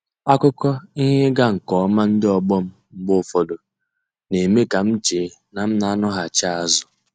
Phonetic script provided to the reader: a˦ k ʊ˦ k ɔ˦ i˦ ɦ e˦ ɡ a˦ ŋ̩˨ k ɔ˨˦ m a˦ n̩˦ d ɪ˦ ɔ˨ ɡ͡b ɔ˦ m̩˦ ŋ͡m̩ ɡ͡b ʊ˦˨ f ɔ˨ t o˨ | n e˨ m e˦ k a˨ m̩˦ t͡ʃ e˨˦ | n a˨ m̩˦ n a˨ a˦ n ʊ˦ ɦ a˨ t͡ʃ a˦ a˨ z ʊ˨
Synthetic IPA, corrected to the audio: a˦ k ʊ˦ k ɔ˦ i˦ ɦ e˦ ɡ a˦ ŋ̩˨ k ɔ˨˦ m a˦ n̩˦ d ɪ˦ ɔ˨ ɡ͡b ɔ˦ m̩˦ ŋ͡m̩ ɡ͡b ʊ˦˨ f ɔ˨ d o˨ | n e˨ m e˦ k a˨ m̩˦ t͡ʃ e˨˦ | n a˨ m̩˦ n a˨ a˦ n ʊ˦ ɦ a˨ t͡ʃ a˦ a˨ z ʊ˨